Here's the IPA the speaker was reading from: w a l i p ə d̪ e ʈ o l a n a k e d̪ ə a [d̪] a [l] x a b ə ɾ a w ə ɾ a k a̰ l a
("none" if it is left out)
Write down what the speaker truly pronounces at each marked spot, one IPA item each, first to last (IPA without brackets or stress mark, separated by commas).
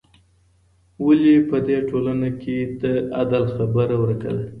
d̪, l